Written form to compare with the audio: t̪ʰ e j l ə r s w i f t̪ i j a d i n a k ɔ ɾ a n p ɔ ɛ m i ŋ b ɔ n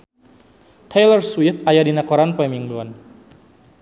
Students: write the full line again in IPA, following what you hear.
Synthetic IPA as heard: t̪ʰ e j l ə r s w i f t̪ a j a d i n a k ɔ ɾ a n p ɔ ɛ m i ŋ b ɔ n